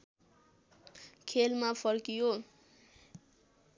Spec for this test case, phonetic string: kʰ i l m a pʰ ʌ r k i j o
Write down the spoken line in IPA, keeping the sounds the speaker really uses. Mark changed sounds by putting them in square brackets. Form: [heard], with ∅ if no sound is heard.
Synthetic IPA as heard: kʰ [e] l m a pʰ ʌ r k i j o